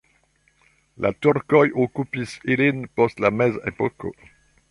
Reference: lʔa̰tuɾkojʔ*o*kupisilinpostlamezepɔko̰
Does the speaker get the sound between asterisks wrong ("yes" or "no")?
no